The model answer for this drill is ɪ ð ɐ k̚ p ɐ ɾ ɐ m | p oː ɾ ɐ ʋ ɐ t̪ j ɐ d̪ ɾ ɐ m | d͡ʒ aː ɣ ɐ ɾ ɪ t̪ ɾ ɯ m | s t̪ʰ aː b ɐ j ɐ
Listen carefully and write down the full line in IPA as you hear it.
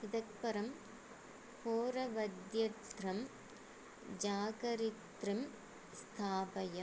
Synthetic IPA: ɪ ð ɐ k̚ p ɐ ɾ ɐ m | p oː ɾ ɐ ʋ ɐ d̪ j ɐ t̪ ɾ ɐ m | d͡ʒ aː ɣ ɐ ɾ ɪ t̪ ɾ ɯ m | s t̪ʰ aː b ɐ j ɐ